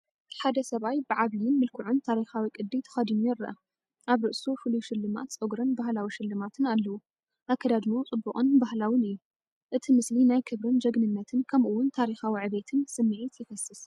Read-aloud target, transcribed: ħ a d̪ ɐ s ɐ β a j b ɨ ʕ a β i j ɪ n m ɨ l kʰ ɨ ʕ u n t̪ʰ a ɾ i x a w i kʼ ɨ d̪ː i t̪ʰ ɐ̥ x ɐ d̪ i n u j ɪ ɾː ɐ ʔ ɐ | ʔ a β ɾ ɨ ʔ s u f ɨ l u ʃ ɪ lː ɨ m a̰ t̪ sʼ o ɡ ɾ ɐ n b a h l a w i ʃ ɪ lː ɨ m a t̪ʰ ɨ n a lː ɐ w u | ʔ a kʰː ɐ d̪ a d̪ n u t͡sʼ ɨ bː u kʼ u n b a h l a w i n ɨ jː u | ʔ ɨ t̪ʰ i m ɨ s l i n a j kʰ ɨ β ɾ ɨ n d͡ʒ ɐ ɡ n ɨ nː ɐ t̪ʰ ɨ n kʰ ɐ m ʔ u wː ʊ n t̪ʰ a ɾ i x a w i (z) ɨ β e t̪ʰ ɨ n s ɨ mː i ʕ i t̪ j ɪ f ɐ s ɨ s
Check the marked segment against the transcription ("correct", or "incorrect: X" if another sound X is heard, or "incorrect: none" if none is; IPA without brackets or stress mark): incorrect: ʕ